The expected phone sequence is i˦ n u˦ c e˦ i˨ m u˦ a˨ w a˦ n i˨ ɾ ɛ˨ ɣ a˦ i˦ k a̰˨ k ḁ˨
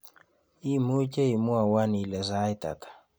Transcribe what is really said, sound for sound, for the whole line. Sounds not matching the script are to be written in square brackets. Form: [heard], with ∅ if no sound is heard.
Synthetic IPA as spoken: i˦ [m] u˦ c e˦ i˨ m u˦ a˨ w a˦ n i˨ [l] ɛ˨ [z] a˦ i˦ [t] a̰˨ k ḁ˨